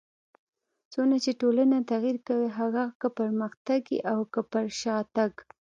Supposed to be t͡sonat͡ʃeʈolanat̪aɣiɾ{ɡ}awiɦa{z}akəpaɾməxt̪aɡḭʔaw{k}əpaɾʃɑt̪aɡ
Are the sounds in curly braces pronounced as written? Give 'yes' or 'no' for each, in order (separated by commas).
no, no, yes